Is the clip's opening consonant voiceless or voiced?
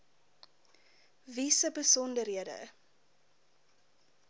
voiced